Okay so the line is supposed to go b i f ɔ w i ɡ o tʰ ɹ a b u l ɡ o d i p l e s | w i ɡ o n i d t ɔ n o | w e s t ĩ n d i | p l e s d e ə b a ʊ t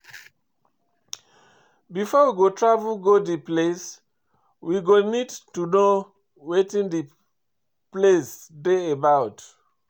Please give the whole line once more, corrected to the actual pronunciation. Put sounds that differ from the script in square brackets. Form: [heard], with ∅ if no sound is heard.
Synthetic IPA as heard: b i f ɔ w i ɡ o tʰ ɹ a [v] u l ɡ o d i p l e s | w i ɡ o n i d t [u] n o | w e [∅] t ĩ n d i | p l e s d e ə b a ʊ t